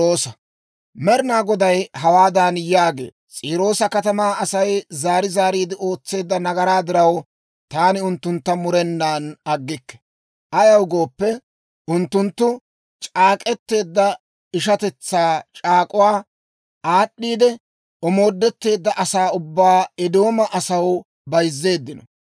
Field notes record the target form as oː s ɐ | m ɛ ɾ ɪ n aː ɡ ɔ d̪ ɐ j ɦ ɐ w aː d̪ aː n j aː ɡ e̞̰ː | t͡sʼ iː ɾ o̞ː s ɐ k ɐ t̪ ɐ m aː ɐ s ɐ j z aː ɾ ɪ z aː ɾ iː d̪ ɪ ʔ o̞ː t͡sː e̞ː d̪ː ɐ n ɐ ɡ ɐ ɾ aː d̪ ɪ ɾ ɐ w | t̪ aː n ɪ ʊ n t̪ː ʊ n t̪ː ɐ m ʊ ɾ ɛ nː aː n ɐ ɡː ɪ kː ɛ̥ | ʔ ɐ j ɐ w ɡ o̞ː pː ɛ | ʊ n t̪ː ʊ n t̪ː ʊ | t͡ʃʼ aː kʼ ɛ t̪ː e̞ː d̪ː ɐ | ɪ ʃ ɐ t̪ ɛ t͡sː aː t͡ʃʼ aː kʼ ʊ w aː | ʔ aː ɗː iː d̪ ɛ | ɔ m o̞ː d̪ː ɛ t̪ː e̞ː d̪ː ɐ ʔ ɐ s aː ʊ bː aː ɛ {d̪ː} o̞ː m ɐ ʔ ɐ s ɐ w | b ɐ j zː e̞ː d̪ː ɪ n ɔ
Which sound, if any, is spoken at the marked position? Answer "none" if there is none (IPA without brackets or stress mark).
d̪